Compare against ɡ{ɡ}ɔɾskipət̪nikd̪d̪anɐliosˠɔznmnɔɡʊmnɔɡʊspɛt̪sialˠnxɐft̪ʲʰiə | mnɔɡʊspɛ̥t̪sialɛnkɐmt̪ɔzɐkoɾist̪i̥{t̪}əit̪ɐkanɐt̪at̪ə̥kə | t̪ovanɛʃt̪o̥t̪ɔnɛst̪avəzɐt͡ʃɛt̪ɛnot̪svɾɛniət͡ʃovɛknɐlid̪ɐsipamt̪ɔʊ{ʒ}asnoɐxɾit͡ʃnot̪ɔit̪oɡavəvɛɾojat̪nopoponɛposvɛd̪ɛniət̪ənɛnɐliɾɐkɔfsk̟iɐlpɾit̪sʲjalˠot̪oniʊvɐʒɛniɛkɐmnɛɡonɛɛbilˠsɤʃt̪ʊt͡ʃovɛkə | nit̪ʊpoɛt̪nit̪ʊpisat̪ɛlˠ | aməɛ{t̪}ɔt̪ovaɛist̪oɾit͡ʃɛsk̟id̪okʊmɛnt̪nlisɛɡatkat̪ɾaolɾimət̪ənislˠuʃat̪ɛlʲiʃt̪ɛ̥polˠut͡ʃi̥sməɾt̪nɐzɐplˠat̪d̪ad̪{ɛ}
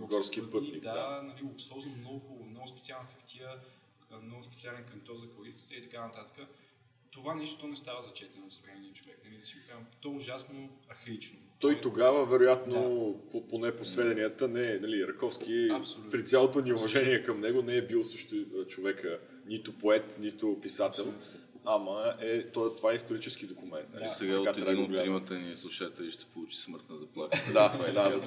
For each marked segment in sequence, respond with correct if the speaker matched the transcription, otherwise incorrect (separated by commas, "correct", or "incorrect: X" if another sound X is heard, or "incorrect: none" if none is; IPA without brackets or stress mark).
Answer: correct, correct, correct, correct, incorrect: a